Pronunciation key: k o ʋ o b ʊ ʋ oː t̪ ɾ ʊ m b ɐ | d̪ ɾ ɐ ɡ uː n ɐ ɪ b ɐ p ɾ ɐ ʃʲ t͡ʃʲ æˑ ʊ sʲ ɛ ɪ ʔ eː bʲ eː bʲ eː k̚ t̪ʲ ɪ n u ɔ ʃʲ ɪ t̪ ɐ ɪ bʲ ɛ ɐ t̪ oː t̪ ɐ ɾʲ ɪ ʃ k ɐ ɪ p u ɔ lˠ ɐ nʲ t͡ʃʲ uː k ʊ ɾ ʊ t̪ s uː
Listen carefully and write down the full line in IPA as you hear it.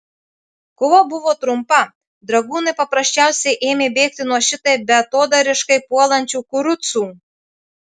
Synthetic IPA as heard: k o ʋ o b ʊ ʋ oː t̪ ɾ ʊ m p ɐ | d̪ ɾ ɐ ɡ uː n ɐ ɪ p ɐ p ɾ ɐ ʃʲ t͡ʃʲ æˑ ʊ sʲ ɛ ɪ ʔ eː mʲ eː bʲ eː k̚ t̪ʲ ɪ n u ɔ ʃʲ ɪ t̪ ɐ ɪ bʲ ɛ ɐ t̪ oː d̪ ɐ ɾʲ ɪ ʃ k ɐ ɪ p u ɔ lˠ ɐ nʲ t͡ʃʲ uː k ʊ ɾ ʊ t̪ s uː

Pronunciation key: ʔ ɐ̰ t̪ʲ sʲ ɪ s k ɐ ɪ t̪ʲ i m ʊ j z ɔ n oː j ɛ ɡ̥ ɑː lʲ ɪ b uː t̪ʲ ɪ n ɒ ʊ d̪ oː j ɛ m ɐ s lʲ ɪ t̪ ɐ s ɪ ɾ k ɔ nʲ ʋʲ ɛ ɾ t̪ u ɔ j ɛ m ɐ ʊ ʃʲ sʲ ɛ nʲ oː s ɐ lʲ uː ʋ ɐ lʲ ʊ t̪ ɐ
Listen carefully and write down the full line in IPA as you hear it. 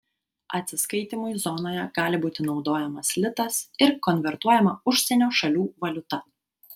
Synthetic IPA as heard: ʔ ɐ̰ t̪ʲ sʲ ɪ s k ɐ ɪ t̪ʲ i m ʊ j z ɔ n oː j ɛ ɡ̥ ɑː lʲ ɪ b uː t̪ʲ ɪ n ɒ ʊ d̪ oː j ɛ m ɐ s lʲ ɪ t̪ ɐ s ɪ ɾ k ɔ nʲ ʋʲ ɛ ɾ t̪ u ɔ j ɛ m ɐ ʊ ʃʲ sʲ ɛ nʲ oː ʃ ɐ lʲ uː ʋ ɐ lʲ ʊ t̪ ɐ

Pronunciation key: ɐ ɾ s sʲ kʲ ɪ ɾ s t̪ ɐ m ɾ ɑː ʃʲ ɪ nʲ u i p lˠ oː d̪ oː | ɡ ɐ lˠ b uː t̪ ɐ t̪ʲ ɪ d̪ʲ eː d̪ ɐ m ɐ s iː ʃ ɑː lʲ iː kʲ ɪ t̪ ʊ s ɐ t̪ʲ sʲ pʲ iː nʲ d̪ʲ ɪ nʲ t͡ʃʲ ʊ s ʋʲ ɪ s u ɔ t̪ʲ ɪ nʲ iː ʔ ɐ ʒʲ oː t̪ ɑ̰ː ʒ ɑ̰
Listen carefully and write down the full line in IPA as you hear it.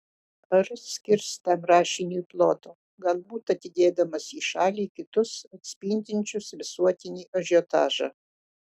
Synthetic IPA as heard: ɐ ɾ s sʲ kʲ ɪ ɾ s t̪ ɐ m ɾ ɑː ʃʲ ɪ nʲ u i p lˠ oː t̪ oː | ɡ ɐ lˠ b uː t̪ ɐ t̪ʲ ɪ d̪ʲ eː d̪ ɐ m ɐ s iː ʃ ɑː lʲ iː kʲ ɪ t̪ ʊ s ɐ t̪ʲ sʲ pʲ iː nʲ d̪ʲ ɪ nʲ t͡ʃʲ ʊ s ʋʲ ɪ s u ɔ t̪ʲ ɪ nʲ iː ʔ ɐ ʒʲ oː t̪ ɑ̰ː ʒ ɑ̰

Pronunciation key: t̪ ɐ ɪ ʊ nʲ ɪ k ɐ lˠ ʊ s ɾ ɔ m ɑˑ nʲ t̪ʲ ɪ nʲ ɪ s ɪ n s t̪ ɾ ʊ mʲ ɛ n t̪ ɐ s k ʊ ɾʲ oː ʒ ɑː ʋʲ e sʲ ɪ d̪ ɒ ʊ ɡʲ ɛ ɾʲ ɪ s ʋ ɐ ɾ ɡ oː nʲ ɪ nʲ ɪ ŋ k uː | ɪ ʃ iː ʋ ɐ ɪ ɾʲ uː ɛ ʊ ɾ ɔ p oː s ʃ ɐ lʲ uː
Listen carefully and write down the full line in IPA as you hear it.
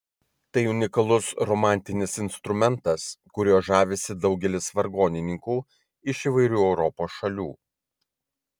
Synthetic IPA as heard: t̪ ɐ ɪ ʊ nʲ ɪ k ɐ lˠ ʊ s ɾ ɔ m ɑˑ nʲ t̪ʲ ɪ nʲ ɪ s ɪ n s t̪ ɾ ʊ mʲ ɛ n t̪ ɐ s k ʊ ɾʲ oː ʒ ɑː ʋʲ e sʲ ɪ d̪ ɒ ʊ ɡʲ ɛ lʲ ɪ s ʋ ɐ ɾ ɡ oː nʲ ɪ nʲ ɪ ŋ k uː | ɪ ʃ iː ʋ ɐ ɪ ɾʲ uː ɛ ʊ ɾ ɔ p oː s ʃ ɐ lʲ uː

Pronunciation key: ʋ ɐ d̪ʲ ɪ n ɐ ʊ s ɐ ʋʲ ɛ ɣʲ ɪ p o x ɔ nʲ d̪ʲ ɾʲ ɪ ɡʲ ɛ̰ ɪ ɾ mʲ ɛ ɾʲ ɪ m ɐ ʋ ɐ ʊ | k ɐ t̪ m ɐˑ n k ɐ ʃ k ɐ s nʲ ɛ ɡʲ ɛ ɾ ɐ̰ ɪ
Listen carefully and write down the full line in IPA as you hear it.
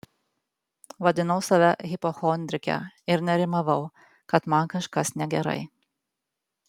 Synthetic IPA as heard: ʋ ɐ d̪ʲ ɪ n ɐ ʊ s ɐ ʋʲ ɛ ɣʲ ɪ p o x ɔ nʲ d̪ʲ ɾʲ ɪ kʲ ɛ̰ ɪ ɾ nʲ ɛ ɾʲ ɪ m ɐ ʋ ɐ ʊ | k ɐ t̪ m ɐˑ n k ɐ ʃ k ɐ s nʲ ɛ ɡʲ ɛ ɾ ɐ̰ ɪ

